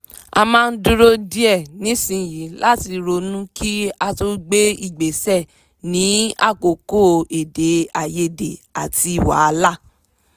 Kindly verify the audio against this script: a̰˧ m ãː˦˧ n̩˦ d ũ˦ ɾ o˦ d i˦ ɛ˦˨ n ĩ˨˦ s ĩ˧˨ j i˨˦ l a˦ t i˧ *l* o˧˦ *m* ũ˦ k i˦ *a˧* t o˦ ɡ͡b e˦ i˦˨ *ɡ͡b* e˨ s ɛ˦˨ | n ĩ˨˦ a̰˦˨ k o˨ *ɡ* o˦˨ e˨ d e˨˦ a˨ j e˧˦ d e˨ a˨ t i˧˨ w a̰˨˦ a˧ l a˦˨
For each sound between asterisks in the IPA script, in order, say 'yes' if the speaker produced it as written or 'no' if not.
no, no, yes, yes, no

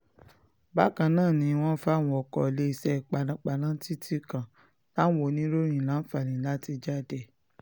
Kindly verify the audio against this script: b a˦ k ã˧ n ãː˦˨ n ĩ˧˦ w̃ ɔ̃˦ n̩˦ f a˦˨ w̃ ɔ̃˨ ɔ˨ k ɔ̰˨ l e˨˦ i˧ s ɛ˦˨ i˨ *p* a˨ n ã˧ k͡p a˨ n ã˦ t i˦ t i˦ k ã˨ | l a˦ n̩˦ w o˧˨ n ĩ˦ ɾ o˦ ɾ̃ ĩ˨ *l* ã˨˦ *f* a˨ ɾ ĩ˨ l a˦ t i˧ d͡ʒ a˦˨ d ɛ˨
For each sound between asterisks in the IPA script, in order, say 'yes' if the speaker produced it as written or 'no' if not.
no, yes, yes

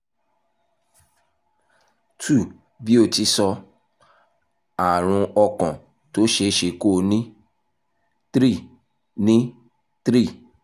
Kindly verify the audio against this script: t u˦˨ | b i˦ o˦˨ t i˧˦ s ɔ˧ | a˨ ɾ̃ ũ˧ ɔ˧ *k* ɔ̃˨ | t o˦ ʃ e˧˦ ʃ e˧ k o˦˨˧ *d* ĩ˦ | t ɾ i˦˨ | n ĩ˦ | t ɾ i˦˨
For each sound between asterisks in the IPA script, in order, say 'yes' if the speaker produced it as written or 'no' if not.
yes, no

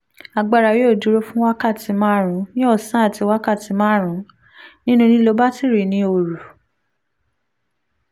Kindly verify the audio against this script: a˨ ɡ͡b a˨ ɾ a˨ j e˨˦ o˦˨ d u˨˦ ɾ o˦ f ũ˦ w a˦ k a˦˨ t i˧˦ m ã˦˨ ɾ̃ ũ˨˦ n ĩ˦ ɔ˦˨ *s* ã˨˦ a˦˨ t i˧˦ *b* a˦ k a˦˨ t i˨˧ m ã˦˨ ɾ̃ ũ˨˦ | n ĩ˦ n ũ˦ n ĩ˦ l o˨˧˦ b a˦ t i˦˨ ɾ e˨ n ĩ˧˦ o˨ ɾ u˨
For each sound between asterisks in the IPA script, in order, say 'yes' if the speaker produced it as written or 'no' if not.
yes, no

